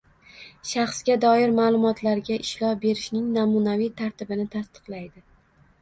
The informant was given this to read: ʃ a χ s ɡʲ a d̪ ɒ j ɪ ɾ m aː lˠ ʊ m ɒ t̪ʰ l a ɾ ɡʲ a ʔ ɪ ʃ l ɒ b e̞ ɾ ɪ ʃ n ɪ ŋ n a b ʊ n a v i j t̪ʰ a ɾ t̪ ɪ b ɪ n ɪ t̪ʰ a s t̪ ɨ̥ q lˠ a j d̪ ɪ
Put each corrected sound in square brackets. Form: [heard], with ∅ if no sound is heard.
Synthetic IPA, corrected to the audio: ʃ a χ s ɡʲ a d̪ ɒ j ɪ ɾ m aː lˠ ʊ m ɒ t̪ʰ l a ɾ ɡʲ a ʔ ɪ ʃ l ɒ b e̞ ɾ ɪ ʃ n ɪ ŋ n a [m] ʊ n a v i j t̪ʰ a ɾ t̪ ɪ b ɪ n ɪ t̪ʰ a s t̪ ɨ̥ q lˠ a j d̪ ɪ